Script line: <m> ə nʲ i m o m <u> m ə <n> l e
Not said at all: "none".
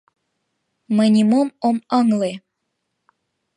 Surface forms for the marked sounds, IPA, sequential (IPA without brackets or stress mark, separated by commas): m, o, ŋ